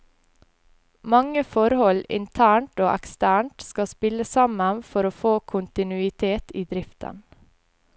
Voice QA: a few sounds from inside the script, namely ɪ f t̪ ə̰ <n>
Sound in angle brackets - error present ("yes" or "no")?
no